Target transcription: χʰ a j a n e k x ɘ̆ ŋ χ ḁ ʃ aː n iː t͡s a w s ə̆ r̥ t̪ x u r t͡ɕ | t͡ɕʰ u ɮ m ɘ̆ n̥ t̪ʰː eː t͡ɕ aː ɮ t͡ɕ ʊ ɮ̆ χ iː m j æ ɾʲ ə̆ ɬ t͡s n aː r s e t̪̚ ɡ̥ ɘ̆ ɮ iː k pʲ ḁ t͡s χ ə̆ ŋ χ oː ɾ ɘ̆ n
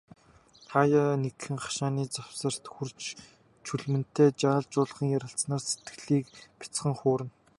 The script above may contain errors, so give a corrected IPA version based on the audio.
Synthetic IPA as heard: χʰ a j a n e k x ɘ̆ ŋ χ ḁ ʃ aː n iː t͡s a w s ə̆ r̥ t̪ x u r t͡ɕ | t͡ɕʰ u ɮ m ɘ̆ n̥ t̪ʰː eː t͡ɕ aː ɮ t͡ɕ ʊː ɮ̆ χ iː ŋ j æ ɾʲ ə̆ ɬ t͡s n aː r s e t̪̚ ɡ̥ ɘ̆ ɮ iː k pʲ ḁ t͡s χ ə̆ ŋ χ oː ɾ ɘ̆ n